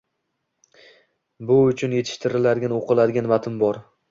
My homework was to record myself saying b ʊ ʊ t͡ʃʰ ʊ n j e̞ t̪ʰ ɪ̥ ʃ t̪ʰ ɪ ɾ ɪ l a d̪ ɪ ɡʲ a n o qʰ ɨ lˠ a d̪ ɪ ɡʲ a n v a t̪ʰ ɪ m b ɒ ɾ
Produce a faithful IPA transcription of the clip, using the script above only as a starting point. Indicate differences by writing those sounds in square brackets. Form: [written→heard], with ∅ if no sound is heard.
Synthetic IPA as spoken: b ʊ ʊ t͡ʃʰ ʊ n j e̞ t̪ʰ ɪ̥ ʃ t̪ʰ ɪ ɾ ɪ l a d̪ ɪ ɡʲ a n o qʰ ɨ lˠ a d̪ ɪ ɡʲ a n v a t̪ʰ ɪ m b ɒ ɾ